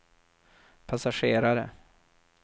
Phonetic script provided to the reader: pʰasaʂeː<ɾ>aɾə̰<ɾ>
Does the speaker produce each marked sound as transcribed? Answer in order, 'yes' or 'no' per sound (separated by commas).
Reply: yes, no